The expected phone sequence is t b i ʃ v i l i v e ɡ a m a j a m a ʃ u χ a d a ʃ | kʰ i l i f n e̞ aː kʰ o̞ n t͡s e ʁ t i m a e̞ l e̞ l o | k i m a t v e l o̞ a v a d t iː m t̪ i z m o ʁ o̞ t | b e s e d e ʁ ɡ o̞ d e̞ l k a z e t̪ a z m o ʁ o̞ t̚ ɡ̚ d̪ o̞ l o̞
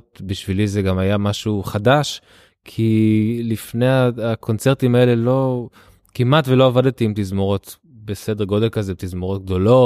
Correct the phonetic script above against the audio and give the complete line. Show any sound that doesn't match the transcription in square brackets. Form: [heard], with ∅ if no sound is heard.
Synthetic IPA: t b i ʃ v i l i [z] e ɡ a m a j a m a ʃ u χ a d a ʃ | kʰ i l i f n e̞ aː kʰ o̞ n t͡s e ʁ t i m a e̞ l e̞ l o | k i m a t v e l o̞ a v a d t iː m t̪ i z m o ʁ o̞ t | b e s e d e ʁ ɡ o̞ d e̞ l k a z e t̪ [i] z m o ʁ o̞ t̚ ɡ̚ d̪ o̞ l o̞